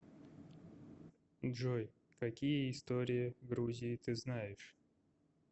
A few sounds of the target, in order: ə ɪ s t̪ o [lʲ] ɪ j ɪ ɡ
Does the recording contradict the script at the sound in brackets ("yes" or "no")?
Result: yes